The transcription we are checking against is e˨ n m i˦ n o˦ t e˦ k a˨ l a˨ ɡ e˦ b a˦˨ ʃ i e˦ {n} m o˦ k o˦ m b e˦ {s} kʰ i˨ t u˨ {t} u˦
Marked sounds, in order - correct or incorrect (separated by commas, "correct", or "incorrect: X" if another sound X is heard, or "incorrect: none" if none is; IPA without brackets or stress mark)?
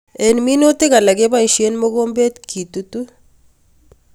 correct, incorrect: t, correct